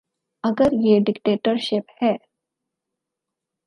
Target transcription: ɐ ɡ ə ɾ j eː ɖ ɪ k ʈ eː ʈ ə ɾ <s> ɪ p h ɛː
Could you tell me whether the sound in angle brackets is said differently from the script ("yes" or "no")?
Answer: yes